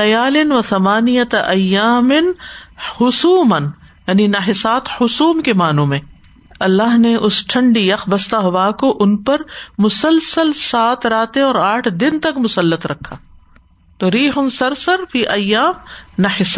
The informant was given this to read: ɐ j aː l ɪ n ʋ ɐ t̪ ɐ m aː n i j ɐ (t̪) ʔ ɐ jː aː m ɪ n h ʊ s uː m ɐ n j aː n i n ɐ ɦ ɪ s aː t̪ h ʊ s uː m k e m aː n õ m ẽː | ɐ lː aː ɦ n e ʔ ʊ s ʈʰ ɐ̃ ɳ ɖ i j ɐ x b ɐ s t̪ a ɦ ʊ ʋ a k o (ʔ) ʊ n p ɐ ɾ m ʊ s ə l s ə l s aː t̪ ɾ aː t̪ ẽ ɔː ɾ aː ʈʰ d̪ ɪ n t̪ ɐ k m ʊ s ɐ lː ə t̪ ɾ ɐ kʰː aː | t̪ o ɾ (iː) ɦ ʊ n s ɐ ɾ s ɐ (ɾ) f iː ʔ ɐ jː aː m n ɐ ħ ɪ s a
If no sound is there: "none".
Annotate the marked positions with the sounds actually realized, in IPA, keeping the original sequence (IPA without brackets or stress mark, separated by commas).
t̪, ʔ, iː, ɾ